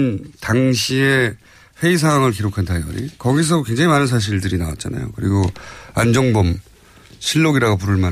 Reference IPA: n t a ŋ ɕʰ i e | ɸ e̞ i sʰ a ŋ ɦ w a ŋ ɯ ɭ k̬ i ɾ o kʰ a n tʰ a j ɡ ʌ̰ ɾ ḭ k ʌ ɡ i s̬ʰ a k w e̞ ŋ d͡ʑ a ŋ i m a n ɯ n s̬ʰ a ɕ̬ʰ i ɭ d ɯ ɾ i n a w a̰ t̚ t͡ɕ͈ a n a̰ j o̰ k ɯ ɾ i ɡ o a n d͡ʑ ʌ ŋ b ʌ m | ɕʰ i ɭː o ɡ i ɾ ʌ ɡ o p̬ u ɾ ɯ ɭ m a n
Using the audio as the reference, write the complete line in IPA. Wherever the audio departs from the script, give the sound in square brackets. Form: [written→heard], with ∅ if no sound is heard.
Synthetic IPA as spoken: n t a ŋ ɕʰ i e | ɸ e̞ i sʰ a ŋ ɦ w a ŋ ɯ ɭ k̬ i ɾ o kʰ a n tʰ a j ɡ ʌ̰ ɾ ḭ k ʌ ɡ i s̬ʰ [a→ʌ] k w e̞ ŋ d͡ʑ a ŋ i m a n ɯ n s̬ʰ a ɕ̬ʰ i ɭ d ɯ ɾ i n a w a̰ t̚ t͡ɕ͈ a n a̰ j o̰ k ɯ ɾ i ɡ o a n d͡ʑ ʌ ŋ b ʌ m | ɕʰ i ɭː o ɡ i ɾ [ʌ→a] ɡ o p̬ u ɾ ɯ ɭ m a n